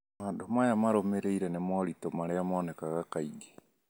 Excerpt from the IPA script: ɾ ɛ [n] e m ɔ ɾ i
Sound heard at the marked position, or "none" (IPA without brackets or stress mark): n